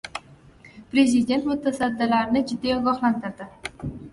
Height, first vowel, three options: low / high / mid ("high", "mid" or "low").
mid